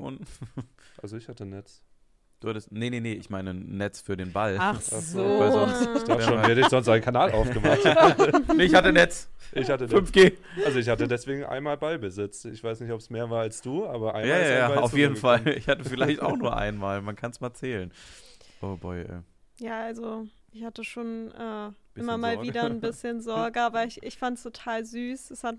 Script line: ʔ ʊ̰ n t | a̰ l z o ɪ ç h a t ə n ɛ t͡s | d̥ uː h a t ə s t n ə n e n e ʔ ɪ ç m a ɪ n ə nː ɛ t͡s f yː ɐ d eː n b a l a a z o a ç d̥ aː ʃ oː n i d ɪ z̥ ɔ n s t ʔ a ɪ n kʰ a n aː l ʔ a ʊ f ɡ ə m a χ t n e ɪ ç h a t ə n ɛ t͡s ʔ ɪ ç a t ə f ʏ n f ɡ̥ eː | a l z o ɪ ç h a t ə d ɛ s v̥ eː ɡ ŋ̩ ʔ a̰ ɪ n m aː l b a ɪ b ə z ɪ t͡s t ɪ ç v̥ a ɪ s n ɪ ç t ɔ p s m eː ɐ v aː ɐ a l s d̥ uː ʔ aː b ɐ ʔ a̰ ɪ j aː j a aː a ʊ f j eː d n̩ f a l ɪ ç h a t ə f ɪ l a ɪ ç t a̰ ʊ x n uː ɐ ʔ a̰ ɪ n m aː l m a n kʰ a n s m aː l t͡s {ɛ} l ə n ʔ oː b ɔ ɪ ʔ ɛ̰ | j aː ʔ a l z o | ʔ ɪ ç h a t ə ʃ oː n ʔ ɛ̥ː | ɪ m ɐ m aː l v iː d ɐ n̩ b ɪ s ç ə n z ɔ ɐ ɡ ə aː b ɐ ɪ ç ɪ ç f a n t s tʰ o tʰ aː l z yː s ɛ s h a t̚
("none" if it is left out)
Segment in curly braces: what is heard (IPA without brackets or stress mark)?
ɛː